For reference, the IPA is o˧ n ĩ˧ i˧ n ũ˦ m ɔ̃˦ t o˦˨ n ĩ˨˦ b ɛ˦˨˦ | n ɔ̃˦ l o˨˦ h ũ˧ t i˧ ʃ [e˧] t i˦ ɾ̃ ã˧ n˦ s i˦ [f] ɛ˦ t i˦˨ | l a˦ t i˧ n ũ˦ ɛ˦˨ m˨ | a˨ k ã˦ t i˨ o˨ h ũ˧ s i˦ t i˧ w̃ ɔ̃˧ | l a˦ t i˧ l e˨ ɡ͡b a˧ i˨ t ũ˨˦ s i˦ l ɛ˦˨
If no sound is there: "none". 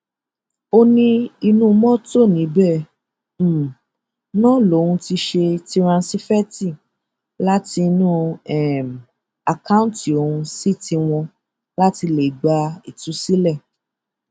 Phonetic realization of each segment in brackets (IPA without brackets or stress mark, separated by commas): e˧, f